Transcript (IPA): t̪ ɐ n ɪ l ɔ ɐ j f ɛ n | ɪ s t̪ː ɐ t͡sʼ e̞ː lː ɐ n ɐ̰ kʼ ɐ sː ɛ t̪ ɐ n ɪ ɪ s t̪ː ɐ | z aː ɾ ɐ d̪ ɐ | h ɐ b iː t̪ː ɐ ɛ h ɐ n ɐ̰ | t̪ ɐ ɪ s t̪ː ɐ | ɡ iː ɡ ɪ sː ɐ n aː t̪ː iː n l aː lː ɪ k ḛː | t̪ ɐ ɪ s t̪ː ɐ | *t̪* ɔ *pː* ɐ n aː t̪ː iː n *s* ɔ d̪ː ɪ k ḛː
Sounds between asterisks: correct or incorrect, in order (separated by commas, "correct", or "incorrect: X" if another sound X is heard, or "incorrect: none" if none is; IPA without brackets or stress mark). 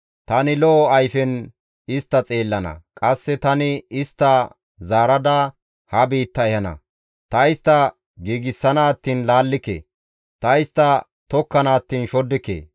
correct, incorrect: kː, incorrect: ʃ